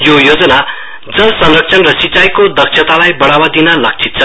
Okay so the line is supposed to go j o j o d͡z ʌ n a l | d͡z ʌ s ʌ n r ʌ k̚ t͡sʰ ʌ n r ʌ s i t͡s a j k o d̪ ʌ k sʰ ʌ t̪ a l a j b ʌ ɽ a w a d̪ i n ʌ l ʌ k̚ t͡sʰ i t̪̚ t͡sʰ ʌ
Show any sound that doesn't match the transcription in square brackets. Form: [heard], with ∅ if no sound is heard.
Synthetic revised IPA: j o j o d͡z ʌ n a [∅] | d͡z ʌ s ʌ n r ʌ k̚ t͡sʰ ʌ n r ʌ s i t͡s a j k o d̪ ʌ k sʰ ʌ t̪ a l a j b ʌ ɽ a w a d̪ i n ʌ l ʌ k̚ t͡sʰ i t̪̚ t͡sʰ ʌ